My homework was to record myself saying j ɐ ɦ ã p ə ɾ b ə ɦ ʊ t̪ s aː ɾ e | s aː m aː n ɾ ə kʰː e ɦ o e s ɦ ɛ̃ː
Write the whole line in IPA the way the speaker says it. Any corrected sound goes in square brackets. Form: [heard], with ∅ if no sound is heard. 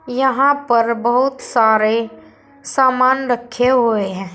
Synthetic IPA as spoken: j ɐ ɦ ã p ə ɾ b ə ɦ ʊ t̪ s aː ɾ e | s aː m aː n ɾ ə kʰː e ɦ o e [∅] ɦ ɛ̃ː